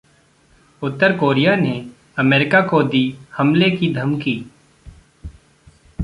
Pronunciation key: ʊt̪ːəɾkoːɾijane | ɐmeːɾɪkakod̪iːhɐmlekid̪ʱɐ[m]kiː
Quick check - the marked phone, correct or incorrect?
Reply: correct